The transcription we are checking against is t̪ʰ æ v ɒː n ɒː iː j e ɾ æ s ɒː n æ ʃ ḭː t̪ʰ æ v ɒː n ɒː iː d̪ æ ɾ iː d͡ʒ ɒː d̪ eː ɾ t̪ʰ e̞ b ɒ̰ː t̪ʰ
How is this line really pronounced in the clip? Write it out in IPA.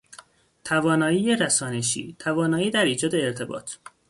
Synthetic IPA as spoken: t̪ʰ æ v ɒː n ɒː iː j e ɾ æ s ɒː n e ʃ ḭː t̪ʰ æ v ɒː n ɒː iː d̪ æ ɾ iː d͡ʒ ɒː d̪ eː ɾ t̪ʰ e̞ b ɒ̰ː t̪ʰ